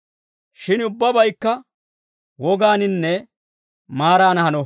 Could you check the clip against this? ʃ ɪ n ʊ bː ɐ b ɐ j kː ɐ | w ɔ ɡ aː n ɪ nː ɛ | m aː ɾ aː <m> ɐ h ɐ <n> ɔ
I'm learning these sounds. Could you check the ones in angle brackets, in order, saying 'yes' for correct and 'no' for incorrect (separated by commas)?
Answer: no, yes